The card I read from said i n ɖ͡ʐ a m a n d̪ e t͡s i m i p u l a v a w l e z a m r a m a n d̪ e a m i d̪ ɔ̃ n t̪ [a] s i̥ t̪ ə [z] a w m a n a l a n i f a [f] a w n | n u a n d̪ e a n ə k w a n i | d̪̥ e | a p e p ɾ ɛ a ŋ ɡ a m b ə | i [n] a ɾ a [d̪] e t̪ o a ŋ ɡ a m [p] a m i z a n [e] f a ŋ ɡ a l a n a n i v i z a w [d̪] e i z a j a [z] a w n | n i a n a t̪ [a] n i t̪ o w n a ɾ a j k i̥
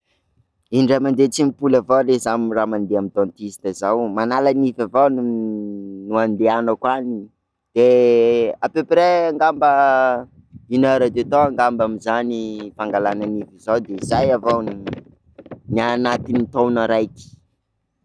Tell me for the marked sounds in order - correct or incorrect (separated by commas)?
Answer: incorrect, correct, incorrect, correct, correct, incorrect, incorrect, correct, incorrect, incorrect